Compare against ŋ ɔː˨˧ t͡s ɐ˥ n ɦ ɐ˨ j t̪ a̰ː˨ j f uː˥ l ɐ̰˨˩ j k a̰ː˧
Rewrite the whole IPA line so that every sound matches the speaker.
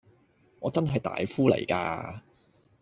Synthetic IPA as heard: ŋ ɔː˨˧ t͡s ɐ˥ n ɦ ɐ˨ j t̪ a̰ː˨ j f uː˥ l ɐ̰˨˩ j k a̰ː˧